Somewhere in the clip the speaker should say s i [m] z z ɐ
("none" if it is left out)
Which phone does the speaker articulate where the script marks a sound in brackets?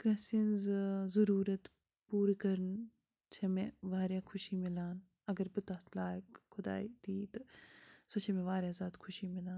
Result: n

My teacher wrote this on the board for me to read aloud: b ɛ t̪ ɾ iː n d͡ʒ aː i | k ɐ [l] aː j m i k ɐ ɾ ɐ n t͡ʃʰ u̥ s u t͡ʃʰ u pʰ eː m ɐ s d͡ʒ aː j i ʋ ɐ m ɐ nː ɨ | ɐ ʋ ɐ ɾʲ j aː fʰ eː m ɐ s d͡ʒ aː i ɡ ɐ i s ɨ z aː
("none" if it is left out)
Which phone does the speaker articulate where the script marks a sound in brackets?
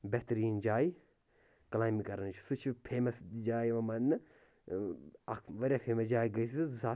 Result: l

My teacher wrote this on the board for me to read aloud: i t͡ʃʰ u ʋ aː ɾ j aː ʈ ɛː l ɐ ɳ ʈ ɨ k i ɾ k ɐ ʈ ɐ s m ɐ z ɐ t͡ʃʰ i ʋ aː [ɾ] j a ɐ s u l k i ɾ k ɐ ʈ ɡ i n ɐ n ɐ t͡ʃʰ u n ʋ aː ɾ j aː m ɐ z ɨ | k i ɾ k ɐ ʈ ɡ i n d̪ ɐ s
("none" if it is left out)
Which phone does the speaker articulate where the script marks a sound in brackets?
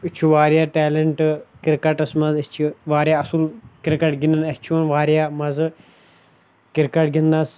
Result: ɾ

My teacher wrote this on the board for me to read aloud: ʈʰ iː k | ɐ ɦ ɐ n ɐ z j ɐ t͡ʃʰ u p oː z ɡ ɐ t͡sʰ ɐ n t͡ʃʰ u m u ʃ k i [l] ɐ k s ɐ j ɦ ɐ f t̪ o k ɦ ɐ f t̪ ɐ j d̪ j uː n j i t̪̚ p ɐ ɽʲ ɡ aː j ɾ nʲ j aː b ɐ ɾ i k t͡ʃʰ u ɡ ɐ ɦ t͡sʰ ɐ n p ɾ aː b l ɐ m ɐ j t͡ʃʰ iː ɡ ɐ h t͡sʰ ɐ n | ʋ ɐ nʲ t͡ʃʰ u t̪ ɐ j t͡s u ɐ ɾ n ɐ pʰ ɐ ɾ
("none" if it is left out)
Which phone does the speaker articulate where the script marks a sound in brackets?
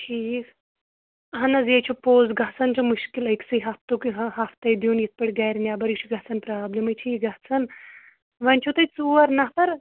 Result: l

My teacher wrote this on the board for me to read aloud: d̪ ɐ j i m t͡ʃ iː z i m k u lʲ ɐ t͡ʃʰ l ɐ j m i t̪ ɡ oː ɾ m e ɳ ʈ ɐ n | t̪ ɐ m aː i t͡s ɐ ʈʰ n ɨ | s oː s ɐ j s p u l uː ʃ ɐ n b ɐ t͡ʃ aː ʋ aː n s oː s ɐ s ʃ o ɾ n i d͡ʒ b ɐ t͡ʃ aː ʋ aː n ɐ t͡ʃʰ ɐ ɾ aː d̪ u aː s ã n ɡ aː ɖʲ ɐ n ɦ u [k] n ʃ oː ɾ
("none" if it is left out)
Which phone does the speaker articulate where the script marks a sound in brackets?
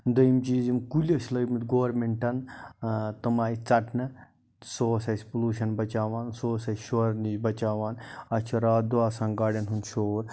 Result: none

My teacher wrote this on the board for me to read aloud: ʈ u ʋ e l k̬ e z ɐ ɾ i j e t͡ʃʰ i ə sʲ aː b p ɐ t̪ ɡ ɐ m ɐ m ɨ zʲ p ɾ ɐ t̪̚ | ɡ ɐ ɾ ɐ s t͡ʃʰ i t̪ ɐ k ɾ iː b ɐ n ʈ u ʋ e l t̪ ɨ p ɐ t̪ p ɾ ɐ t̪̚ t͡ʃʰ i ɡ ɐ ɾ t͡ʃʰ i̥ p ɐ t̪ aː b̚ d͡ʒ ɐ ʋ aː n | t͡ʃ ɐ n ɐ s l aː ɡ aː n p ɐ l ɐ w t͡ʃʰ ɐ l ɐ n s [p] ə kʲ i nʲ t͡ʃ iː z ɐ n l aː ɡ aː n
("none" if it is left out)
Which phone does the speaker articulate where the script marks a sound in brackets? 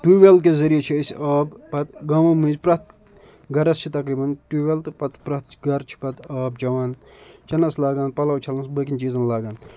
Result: b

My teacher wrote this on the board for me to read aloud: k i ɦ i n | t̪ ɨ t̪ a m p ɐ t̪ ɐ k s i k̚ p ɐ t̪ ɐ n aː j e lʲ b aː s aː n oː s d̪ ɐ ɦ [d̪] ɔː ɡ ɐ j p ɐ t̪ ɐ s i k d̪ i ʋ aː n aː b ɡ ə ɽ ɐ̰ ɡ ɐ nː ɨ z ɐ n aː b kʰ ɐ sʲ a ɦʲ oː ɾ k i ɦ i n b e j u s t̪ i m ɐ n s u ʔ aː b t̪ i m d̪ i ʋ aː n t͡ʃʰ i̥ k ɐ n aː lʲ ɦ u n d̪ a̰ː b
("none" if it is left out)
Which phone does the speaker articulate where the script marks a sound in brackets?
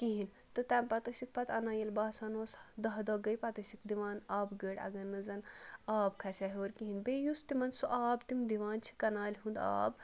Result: d̪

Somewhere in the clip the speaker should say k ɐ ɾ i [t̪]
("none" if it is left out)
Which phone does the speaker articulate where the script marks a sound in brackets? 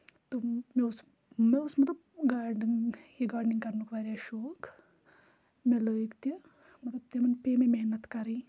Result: none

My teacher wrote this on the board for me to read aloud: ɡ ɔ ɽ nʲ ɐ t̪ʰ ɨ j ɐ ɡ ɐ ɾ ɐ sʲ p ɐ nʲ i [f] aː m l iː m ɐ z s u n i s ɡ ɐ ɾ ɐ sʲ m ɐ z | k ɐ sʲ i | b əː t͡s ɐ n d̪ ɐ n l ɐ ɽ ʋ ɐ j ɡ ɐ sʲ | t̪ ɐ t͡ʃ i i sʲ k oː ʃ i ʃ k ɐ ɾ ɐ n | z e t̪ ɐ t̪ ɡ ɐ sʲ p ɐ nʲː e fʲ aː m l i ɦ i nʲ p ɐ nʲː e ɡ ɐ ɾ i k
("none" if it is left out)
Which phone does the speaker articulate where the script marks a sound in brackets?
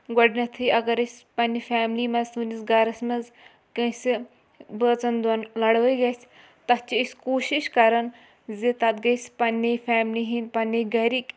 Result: f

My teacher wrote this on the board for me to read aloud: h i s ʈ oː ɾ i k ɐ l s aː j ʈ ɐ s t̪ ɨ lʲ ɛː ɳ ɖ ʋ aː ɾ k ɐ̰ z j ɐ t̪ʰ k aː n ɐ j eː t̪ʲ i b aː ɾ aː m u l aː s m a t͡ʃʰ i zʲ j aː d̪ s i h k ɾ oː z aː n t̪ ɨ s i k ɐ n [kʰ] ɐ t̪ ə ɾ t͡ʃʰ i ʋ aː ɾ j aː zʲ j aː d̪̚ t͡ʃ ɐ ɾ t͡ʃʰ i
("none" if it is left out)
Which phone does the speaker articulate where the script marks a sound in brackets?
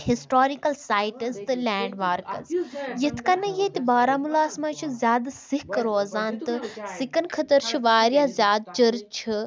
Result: kʰ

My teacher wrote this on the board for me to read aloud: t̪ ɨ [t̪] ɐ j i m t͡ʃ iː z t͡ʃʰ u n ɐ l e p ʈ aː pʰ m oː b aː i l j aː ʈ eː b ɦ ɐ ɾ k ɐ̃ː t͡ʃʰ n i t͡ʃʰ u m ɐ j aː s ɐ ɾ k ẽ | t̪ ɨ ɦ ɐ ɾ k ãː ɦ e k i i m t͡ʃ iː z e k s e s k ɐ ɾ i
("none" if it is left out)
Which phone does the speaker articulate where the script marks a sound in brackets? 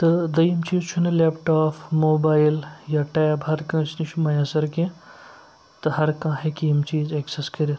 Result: d̪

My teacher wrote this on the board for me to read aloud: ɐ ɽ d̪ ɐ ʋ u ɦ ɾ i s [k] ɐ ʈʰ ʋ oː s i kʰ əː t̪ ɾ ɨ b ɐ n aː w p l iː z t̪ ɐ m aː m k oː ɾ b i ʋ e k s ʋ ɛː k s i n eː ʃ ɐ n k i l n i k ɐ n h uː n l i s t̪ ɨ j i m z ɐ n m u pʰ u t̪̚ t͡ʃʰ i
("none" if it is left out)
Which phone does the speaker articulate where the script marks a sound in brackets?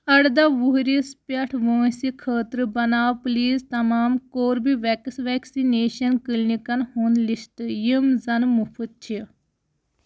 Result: p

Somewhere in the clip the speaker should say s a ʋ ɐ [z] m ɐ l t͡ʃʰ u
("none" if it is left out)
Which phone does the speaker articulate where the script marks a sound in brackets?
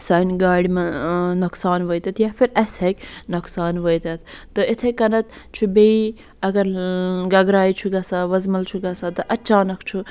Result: z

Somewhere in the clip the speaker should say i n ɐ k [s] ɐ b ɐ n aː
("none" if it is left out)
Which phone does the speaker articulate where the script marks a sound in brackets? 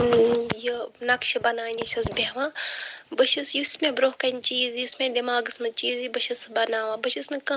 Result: ʃ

